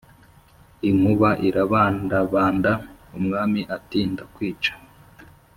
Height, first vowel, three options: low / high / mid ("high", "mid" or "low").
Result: high